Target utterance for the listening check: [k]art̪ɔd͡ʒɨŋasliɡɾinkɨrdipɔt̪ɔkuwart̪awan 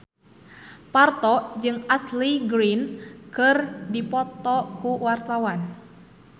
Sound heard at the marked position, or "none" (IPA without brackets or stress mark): p